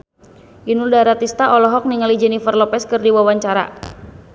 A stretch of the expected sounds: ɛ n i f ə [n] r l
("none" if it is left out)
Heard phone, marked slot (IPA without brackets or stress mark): none